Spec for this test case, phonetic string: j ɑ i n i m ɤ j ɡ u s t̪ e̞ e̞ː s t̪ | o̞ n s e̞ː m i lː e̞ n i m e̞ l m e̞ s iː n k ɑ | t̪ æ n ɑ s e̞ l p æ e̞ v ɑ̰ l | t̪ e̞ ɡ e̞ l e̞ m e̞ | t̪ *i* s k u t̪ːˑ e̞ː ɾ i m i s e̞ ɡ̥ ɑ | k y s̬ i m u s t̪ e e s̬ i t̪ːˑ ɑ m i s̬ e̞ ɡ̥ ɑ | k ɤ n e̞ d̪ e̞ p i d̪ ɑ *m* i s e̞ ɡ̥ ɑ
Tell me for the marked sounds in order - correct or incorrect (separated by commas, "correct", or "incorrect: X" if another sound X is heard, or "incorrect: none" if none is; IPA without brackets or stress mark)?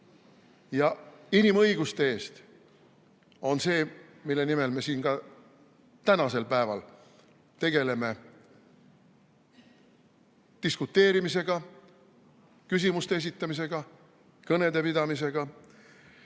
correct, correct